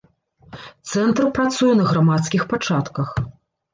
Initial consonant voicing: voiceless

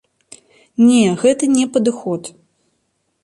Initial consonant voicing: voiced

